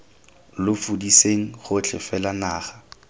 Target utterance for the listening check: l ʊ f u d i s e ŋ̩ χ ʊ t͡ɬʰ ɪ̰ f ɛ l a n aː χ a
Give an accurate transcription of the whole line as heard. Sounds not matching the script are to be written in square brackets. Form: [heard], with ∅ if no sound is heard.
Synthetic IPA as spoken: l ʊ f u d i s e ŋ̩ χ ʊ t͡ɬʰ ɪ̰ f ɛ l a n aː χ a